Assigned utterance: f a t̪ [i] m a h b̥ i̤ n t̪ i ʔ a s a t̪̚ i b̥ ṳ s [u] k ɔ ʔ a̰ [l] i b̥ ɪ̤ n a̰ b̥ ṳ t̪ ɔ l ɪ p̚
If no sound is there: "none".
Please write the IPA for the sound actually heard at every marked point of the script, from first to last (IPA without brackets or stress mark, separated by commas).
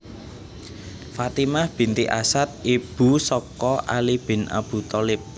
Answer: i, ɔ, l